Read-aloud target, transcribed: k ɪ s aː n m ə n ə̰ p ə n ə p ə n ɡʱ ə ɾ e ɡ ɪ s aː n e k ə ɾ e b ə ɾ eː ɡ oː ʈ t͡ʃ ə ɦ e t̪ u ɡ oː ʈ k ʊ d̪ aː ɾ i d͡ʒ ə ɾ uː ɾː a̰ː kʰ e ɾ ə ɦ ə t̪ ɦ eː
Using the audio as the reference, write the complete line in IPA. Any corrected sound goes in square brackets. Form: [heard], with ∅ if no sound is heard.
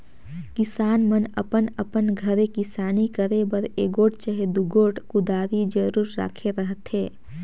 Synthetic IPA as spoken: k ɪ s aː n m ə n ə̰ p ə n ə p ə n ɡʱ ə ɾ e [k] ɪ s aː n [i] k ə ɾ e b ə ɾ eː ɡ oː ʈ t͡ʃ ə ɦ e [d̪] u ɡ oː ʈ k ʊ d̪ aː ɾ i d͡ʒ ə ɾ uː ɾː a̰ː kʰ e ɾ ə ɦ ə t̪ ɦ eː